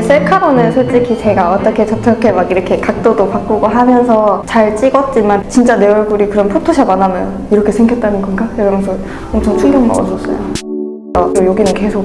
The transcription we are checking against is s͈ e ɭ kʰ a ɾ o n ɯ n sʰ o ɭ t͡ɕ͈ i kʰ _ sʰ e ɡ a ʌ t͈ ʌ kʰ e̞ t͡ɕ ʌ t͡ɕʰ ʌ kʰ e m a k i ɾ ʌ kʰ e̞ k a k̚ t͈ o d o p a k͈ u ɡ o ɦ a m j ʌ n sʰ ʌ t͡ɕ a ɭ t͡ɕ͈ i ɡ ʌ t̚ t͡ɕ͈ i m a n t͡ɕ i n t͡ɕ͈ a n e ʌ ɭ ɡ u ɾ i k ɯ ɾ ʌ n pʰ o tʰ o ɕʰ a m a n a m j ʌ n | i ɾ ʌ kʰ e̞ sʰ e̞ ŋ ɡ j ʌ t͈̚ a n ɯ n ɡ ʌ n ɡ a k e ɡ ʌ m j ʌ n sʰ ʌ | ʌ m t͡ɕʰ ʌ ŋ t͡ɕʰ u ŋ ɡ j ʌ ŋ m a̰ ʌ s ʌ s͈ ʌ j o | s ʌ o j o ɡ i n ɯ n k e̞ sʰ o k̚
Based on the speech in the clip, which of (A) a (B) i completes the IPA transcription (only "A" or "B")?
B